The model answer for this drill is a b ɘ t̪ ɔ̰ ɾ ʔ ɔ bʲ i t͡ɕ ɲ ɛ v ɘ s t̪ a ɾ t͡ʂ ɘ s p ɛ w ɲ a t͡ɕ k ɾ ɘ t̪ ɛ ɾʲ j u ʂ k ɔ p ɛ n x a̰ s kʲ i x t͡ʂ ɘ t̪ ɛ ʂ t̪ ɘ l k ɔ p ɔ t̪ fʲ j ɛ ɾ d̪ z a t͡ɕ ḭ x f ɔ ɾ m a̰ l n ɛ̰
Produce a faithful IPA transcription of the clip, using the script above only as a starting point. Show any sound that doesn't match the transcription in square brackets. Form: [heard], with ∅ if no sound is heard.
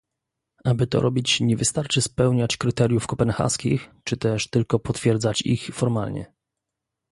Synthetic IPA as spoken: a b ɘ t̪ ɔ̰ ɾ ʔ ɔ bʲ i t͡ɕ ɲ ɛ v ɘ s t̪ a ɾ t͡ʂ ɘ s p ɛ w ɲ a t͡ɕ k ɾ ɘ t̪ ɛ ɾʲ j u [f] k ɔ p ɛ n x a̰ s kʲ i x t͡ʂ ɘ t̪ ɛ ʂ t̪ ɘ l k ɔ p ɔ t̪ fʲ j ɛ ɾ d̪ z a t͡ɕ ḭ x f ɔ ɾ m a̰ l [ɲ] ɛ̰